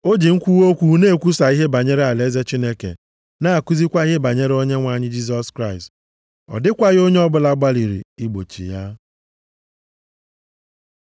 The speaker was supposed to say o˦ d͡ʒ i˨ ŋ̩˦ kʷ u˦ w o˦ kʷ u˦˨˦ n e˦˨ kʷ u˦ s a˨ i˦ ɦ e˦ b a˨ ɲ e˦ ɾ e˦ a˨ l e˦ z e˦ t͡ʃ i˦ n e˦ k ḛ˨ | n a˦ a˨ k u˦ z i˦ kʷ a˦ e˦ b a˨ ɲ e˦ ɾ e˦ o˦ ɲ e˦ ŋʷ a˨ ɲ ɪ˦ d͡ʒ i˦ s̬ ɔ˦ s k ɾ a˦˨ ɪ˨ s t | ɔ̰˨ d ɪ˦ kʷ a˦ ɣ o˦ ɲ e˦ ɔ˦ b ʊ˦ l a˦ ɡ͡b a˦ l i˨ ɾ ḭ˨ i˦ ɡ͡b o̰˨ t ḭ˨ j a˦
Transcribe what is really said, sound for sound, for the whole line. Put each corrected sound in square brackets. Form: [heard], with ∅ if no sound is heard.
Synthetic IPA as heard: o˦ d͡ʒ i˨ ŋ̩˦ kʷ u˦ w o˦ kʷ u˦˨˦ n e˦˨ kʷ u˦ s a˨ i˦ ɦ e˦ b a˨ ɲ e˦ ɾ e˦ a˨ l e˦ z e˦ t͡ʃ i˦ n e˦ k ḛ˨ | n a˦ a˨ k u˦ z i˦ kʷ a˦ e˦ b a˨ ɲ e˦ ɾ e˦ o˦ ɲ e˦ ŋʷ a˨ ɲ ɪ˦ d͡ʒ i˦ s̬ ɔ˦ s k ɾ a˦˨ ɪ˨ s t | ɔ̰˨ d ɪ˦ kʷ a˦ ɣ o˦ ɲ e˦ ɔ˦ b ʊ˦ l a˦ ɡ͡b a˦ l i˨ ɾ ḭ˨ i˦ ɡ͡b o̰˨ [t͡ʃ] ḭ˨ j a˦